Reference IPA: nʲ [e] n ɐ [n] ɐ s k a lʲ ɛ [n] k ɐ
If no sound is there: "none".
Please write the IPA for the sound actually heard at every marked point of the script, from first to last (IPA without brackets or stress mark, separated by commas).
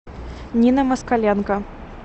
i, m, n